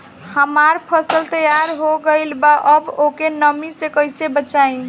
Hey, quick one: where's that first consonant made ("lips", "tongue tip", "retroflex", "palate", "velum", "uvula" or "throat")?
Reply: throat